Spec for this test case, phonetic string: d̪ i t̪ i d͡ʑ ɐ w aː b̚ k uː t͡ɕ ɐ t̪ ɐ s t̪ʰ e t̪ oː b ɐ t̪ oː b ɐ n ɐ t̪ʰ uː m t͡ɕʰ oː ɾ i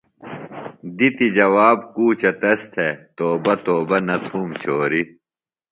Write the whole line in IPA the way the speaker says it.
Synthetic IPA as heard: d̪ i t̪ i d͡ʑ ɐ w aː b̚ k uː t͡ɕ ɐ t̪ ɐ s t̪ʰ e t̪ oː b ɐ t̪ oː b ɐ n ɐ t̪ʰ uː m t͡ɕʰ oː ɾ i